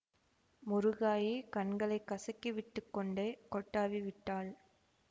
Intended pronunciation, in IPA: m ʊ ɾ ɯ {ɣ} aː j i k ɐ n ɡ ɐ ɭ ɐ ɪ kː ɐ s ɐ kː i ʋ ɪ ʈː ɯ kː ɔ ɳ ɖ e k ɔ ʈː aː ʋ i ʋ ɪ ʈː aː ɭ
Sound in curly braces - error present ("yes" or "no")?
no